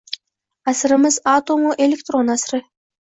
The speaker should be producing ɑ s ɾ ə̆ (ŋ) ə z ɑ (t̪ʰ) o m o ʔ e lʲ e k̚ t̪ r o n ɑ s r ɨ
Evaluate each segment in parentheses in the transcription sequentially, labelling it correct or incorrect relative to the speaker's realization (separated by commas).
incorrect, incorrect